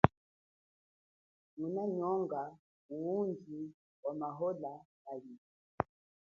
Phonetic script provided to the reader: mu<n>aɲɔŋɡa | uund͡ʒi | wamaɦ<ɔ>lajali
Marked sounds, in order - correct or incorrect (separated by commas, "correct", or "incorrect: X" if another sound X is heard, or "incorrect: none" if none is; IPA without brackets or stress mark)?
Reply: correct, correct